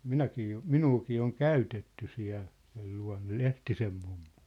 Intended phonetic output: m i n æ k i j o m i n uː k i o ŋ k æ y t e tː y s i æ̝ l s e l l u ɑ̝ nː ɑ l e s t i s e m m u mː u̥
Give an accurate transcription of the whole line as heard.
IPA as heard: m i n æ k iː j o m i n uː k iː o ŋ k æ y t e tː y s i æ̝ l s e l l u ɑ̝ nː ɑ l e h t i s e m m u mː u̥